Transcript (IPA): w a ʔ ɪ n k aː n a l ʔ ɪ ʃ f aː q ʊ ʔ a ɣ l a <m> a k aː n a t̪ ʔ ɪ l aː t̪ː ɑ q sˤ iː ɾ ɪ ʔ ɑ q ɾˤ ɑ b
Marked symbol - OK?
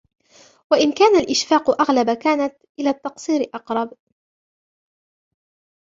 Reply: no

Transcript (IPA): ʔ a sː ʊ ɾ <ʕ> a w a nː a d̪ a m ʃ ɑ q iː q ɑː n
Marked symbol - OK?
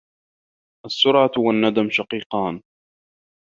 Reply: yes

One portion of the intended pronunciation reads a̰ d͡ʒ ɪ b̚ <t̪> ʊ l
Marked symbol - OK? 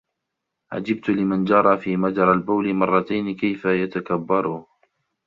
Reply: yes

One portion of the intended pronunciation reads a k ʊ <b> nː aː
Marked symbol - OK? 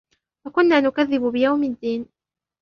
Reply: no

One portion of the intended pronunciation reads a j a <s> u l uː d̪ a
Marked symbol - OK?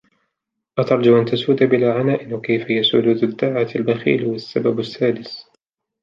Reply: yes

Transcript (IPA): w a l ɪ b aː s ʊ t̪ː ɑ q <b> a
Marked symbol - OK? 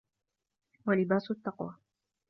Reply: no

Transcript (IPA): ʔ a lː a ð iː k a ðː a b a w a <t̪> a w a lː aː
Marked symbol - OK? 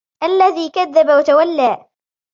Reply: yes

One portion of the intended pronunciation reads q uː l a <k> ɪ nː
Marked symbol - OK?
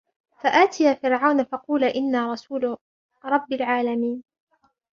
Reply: no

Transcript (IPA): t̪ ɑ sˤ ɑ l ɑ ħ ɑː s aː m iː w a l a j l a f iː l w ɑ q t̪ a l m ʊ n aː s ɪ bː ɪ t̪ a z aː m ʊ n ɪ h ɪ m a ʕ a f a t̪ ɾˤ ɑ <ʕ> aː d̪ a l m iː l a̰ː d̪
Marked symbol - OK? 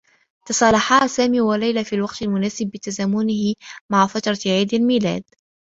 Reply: yes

